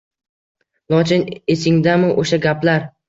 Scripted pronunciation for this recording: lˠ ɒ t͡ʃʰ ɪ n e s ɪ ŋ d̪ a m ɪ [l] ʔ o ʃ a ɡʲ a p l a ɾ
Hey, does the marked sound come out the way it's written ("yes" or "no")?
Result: no